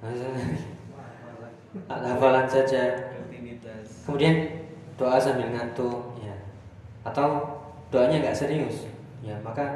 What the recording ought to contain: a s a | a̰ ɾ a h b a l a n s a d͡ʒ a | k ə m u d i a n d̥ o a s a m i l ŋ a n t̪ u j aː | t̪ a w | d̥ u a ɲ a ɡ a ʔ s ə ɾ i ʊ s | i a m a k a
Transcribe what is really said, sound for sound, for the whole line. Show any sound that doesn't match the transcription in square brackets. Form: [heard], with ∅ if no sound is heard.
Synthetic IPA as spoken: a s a | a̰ [l] a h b a l a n s a d͡ʒ a | k ə m u d i a n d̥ o a s a m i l ŋ a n t̪ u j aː | t̪ a w | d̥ [o] a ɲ a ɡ a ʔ s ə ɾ i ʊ s | [j] a m a k a